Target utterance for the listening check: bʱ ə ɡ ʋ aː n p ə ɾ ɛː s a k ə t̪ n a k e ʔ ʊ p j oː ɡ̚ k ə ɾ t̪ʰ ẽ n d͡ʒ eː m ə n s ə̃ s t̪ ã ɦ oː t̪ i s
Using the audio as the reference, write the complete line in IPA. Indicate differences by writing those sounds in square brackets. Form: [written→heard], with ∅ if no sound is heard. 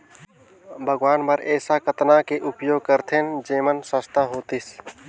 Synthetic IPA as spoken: bʱ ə ɡ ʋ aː n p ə ɾ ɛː s a k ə t̪ n a k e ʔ ʊ p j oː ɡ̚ k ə ɾ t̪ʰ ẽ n d͡ʒ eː m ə n s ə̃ s t̪ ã ɦ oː t̪ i s